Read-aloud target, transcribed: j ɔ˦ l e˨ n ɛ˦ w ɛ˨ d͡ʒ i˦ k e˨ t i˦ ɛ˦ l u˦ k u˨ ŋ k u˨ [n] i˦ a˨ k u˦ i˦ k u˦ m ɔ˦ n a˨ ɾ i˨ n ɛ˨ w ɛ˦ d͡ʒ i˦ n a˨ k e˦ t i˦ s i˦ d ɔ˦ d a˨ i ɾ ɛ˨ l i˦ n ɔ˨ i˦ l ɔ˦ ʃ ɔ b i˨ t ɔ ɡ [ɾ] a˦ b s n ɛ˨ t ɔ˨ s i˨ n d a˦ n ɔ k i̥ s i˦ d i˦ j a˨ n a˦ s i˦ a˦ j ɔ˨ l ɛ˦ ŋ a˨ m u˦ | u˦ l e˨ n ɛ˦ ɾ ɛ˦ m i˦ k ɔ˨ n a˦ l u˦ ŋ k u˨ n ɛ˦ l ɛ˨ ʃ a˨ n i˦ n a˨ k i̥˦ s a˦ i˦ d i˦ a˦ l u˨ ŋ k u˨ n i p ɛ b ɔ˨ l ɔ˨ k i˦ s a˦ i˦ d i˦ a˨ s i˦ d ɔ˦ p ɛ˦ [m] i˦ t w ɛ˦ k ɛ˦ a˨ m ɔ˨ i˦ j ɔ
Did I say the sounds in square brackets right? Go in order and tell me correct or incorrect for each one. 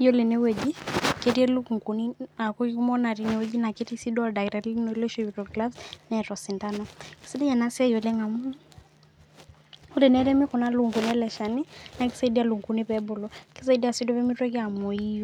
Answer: correct, incorrect: l, correct

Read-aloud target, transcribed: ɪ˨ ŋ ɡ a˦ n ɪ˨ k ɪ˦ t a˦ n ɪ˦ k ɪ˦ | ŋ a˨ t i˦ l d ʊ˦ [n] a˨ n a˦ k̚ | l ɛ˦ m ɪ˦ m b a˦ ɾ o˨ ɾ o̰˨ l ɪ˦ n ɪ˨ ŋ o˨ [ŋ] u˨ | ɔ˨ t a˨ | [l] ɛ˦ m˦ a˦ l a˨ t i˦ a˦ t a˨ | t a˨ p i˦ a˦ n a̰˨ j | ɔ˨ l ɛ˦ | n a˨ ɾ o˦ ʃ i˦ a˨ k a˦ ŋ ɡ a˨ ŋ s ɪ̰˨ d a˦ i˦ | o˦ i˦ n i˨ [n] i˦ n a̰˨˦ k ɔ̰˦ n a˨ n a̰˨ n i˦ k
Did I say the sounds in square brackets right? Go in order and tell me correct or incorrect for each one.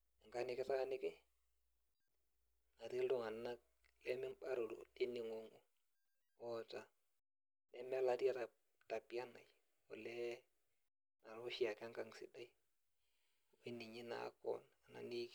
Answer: incorrect: ŋ, correct, correct, incorrect: ɲ

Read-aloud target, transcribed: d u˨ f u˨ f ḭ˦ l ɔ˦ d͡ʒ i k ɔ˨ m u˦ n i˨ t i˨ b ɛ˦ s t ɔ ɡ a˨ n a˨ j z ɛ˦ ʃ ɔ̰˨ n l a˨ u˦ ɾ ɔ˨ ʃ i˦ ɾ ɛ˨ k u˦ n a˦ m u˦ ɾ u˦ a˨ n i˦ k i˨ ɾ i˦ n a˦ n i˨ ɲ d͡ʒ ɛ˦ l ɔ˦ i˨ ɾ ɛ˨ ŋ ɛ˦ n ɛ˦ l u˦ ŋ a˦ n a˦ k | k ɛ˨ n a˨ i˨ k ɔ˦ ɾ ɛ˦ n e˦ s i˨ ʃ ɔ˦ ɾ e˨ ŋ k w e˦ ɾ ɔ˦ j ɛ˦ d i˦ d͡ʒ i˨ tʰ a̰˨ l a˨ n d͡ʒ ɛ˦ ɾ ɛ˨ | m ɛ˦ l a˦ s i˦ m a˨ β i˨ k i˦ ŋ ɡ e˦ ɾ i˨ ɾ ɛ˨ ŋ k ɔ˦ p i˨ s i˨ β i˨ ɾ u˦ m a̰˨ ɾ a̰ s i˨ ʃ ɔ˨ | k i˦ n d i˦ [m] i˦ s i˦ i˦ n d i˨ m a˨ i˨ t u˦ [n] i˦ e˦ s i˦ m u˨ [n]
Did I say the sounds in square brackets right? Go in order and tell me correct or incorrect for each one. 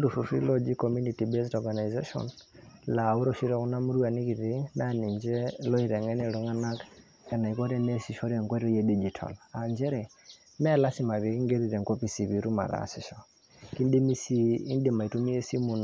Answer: correct, incorrect: m, correct

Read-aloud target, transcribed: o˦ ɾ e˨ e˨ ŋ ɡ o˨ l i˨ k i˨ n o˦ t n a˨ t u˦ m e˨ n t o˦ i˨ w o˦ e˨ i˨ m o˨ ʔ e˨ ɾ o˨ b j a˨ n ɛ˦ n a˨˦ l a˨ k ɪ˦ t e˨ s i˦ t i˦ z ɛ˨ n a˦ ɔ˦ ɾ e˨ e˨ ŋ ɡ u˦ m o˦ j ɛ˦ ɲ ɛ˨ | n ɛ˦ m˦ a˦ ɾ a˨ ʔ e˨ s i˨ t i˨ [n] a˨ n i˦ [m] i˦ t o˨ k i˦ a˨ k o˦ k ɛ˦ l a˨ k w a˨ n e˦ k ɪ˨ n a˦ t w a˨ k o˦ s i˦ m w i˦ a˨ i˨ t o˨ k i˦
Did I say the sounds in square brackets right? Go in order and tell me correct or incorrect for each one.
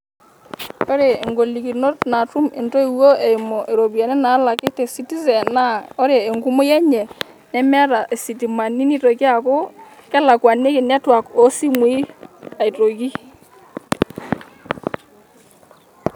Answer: incorrect: m, incorrect: n

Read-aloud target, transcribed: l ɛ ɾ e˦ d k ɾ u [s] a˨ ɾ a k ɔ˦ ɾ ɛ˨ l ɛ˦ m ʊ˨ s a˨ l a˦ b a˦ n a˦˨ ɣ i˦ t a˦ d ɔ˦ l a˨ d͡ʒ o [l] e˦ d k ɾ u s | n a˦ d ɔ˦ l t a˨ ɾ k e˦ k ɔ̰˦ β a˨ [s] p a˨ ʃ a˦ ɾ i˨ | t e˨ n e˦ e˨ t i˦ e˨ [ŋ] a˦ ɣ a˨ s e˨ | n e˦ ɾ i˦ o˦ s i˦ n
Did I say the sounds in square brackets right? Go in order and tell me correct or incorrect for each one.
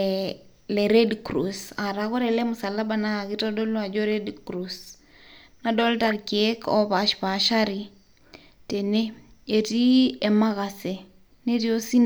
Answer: correct, incorrect: ɾ, incorrect: ʃ, incorrect: m

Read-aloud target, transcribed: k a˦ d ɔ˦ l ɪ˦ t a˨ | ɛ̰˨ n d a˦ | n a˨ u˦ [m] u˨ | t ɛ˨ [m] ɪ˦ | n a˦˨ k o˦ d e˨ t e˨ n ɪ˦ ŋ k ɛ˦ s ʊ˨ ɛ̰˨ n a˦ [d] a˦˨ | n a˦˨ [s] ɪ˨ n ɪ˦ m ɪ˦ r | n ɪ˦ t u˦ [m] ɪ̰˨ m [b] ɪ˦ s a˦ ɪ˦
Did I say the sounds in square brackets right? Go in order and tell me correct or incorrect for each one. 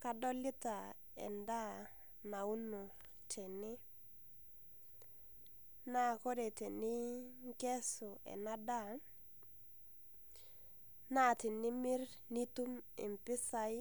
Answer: incorrect: n, incorrect: n, correct, incorrect: t, correct, incorrect: p

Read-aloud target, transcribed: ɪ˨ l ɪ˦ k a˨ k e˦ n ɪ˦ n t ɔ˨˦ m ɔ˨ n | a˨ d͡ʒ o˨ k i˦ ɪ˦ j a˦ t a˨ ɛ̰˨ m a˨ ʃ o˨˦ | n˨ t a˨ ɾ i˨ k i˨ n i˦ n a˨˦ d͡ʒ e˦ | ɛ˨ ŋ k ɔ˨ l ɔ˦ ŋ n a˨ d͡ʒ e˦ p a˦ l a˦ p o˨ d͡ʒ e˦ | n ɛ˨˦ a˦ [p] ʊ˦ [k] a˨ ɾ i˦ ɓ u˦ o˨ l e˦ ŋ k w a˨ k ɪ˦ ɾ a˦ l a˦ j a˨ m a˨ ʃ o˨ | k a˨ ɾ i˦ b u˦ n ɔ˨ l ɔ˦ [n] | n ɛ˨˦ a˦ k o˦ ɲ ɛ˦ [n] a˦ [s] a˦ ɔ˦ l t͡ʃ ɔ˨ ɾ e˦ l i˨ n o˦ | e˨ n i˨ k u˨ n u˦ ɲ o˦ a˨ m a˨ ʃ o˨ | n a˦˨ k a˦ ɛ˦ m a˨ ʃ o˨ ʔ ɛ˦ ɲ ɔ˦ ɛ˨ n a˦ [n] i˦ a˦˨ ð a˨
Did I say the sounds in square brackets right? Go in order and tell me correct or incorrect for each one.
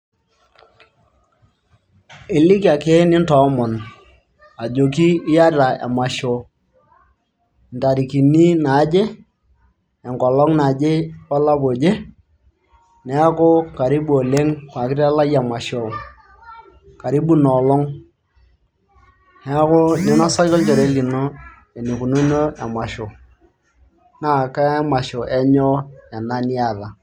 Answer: incorrect: k, correct, incorrect: ŋ, correct, correct, correct

